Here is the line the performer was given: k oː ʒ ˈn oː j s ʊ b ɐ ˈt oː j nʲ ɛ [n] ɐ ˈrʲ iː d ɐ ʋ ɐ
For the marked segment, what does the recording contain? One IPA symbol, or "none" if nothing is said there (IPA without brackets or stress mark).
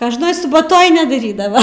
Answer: d